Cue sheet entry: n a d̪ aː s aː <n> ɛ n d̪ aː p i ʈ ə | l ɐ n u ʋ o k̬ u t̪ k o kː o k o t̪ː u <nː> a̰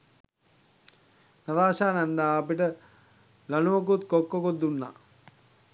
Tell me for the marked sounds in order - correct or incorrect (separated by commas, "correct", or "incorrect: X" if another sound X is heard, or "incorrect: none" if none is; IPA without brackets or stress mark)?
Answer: correct, correct